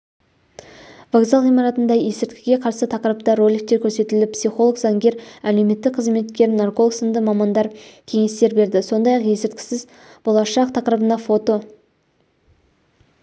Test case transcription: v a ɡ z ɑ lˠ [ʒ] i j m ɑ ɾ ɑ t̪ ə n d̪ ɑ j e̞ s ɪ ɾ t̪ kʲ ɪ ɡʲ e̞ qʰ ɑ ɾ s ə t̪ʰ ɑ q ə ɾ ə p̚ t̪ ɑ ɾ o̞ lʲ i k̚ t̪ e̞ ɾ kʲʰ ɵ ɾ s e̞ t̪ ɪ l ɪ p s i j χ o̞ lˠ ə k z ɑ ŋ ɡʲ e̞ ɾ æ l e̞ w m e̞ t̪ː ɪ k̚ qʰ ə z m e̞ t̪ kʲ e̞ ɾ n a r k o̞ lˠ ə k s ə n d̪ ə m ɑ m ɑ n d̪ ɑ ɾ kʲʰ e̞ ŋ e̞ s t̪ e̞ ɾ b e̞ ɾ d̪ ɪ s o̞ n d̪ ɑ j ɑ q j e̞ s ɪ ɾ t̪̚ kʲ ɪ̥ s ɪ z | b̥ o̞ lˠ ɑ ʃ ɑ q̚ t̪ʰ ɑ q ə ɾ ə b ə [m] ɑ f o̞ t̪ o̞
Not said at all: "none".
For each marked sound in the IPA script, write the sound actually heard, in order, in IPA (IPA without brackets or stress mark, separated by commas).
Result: ʁ, n